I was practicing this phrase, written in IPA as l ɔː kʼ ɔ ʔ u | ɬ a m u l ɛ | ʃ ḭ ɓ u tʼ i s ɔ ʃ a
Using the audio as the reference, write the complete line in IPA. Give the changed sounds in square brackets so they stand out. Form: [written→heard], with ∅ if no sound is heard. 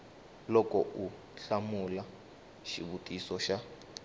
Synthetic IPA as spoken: l [ɔː→ɔ] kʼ ɔ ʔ u | ɬ a m u l [ɛ→a] | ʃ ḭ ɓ u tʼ i s ɔ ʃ a